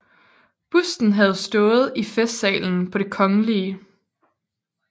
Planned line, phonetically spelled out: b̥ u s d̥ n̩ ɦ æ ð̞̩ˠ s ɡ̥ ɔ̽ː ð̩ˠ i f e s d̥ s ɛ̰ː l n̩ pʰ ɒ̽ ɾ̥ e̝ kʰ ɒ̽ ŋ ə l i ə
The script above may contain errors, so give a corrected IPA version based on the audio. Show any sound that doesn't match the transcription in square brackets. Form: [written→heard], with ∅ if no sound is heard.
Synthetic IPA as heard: b̥ u s d̥ n̩ ɦ æ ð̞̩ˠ s [ɡ̥→d̥] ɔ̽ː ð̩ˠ i f e s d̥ s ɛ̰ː l n̩ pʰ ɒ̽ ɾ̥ e̝ kʰ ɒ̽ ŋ ə l i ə